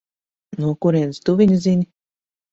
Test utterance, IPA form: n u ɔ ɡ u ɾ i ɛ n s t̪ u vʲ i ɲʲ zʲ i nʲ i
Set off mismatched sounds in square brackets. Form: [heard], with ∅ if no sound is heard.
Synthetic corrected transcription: n u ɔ [k] u ɾ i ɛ n s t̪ u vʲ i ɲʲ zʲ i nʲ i